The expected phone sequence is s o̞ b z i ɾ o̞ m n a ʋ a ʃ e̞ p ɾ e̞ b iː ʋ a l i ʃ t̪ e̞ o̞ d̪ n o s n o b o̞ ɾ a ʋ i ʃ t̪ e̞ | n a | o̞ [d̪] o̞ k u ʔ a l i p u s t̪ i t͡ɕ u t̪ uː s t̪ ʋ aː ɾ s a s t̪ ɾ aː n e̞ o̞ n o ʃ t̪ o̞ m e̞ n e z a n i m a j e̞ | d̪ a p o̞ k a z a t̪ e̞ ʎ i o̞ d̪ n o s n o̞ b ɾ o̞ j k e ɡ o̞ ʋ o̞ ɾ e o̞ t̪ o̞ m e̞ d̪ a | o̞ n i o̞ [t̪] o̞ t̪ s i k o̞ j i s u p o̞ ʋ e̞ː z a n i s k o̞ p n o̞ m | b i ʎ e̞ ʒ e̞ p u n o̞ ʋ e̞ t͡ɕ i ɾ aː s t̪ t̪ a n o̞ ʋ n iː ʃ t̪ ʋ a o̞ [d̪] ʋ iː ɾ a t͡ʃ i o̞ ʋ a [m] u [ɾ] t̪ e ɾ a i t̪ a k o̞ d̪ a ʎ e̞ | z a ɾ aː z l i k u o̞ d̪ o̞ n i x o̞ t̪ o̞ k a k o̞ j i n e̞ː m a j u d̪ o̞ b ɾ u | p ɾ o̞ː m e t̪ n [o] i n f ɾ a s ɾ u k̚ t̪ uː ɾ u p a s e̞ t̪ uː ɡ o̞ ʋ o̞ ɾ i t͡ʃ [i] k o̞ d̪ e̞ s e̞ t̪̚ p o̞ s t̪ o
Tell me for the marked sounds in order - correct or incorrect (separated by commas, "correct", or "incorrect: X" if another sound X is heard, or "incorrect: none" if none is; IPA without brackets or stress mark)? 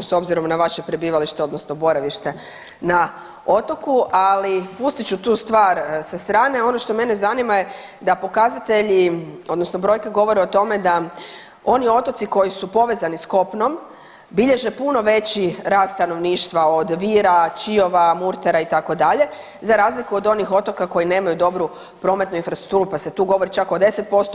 incorrect: t̪, correct, correct, correct, correct, incorrect: u, incorrect: a